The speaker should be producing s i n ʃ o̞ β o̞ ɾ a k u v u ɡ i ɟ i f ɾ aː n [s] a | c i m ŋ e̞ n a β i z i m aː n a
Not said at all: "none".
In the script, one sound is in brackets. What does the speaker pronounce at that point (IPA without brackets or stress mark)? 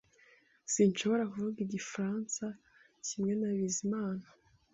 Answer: s